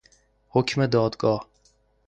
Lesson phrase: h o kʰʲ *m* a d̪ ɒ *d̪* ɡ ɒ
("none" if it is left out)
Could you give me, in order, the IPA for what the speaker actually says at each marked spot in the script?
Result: m, d̪

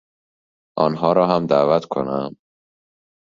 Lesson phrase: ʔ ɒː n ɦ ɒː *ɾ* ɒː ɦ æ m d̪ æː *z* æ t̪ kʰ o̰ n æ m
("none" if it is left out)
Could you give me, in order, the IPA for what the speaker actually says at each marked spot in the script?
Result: ɾ, v

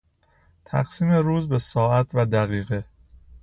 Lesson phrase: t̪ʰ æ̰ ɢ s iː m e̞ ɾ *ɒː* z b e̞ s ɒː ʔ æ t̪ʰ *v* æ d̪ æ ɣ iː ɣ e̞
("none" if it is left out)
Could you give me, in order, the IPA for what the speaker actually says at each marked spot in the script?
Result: uː, v

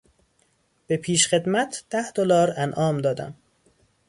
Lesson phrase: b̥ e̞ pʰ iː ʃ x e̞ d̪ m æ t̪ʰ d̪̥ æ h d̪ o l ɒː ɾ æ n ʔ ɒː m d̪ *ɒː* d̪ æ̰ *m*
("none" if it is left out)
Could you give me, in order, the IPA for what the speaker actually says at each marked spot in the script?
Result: ɒː, m

